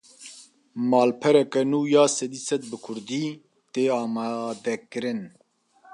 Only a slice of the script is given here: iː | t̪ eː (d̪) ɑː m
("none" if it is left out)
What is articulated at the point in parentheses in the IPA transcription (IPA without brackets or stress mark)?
none